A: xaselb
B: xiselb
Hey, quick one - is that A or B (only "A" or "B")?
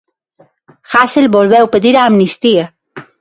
A